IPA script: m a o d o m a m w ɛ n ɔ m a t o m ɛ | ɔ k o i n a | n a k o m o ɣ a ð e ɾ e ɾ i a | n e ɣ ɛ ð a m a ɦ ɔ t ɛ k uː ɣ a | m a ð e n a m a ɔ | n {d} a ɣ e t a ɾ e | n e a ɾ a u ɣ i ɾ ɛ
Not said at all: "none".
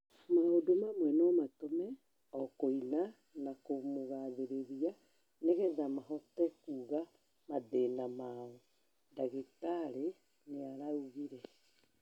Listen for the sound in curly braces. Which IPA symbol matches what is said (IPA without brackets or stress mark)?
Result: d